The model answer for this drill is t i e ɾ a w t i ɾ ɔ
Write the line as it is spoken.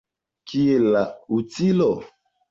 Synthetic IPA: k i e l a u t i l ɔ